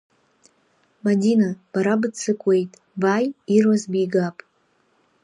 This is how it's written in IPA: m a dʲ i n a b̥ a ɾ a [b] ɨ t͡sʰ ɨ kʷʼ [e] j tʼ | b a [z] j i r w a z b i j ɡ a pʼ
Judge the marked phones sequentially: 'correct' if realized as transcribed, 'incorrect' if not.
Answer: correct, correct, incorrect: none

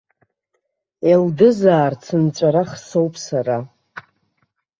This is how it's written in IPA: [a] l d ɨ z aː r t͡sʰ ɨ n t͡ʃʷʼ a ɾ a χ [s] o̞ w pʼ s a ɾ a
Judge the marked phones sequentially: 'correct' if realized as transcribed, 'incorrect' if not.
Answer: incorrect: e, correct

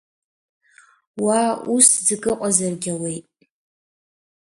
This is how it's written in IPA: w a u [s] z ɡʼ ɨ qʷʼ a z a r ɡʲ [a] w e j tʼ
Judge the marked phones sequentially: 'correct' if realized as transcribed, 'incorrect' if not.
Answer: correct, correct

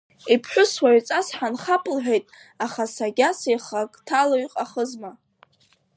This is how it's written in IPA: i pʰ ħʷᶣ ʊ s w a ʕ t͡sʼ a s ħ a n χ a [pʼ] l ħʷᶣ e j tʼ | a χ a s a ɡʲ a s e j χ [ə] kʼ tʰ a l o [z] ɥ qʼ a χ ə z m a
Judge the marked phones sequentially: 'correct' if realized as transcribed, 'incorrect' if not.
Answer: correct, incorrect: a, incorrect: none

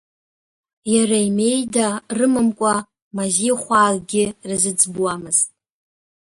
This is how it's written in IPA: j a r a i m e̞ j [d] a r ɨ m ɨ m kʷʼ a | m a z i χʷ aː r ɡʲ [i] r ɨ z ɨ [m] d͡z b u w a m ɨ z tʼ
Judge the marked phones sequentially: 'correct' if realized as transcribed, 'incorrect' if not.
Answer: correct, incorrect: ɪ, incorrect: none

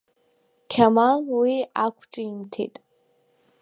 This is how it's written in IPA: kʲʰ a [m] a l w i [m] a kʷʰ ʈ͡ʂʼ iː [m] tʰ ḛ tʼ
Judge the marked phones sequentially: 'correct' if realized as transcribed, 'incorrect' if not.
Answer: correct, incorrect: none, correct

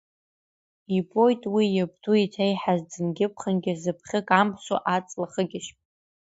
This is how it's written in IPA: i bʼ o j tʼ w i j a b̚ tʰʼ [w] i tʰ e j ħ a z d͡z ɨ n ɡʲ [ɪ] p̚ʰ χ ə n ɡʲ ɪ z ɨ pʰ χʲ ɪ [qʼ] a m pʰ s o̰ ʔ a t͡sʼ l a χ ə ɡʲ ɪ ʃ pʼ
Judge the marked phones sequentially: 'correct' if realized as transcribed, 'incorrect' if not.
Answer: incorrect: u, correct, incorrect: kʼ

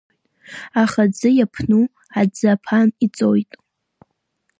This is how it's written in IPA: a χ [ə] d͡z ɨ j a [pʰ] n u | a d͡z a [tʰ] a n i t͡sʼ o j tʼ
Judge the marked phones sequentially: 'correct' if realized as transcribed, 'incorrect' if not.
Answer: incorrect: a, correct, incorrect: pʰ

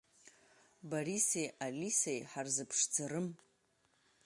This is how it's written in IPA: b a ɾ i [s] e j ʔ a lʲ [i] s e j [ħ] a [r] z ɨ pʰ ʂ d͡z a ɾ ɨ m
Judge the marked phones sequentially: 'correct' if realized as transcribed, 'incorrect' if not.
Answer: correct, correct, correct, correct

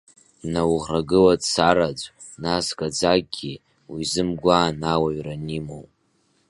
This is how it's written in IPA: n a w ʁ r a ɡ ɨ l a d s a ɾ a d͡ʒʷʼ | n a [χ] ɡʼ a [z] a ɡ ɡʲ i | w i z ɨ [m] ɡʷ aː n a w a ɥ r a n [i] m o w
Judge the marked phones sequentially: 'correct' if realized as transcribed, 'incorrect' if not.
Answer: incorrect: s, incorrect: d͡z, correct, correct

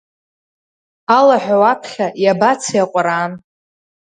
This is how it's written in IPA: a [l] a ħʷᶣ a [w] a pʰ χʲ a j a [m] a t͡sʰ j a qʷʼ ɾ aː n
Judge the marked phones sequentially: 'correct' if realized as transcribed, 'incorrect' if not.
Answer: correct, correct, incorrect: b

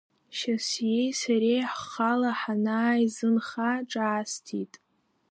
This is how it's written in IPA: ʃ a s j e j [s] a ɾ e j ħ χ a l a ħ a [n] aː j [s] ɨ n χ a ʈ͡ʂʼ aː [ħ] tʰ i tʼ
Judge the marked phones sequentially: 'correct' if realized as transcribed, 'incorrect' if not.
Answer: correct, correct, incorrect: z, incorrect: s

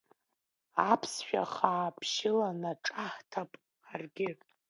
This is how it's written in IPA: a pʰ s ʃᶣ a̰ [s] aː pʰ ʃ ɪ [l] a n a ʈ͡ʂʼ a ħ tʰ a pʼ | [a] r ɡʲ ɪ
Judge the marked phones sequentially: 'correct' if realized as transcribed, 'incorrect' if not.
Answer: incorrect: χ, correct, correct

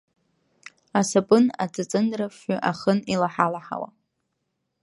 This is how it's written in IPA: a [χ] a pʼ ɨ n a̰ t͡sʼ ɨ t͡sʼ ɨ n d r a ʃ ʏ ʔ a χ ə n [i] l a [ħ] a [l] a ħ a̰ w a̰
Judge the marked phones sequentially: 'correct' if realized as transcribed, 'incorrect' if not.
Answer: incorrect: s, correct, correct, correct

